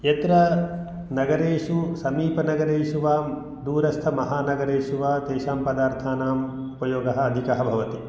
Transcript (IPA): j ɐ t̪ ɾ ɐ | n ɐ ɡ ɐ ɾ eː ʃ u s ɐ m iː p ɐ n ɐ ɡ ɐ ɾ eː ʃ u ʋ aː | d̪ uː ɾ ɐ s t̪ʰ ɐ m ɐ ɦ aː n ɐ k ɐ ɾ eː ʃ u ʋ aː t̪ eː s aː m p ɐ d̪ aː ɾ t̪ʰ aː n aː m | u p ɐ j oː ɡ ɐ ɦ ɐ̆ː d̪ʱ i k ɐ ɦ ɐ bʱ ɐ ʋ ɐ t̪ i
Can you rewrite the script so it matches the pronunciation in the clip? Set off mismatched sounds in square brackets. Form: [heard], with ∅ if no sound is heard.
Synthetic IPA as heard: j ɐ t̪ ɾ ɐ | n ɐ ɡ ɐ ɾ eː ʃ u s ɐ m iː p ɐ n ɐ ɡ ɐ ɾ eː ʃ u ʋ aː | d̪ uː ɾ ɐ s t̪ʰ ɐ m ɐ ɦ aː n ɐ [ɡ] ɐ ɾ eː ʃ u ʋ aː t̪ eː [ʃ] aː m p ɐ d̪ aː ɾ t̪ʰ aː n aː m | u p ɐ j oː ɡ ɐ ɦ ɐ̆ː d̪ʱ i k ɐ ɦ ɐ bʱ ɐ ʋ ɐ t̪ i